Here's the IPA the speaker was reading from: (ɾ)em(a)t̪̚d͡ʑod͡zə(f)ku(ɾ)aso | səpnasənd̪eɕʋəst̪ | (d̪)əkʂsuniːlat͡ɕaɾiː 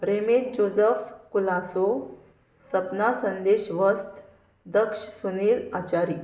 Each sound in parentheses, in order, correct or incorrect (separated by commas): correct, incorrect, correct, incorrect, correct